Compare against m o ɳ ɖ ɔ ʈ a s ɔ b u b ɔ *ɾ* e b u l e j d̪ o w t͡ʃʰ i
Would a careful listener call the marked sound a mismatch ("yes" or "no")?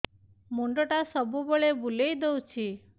yes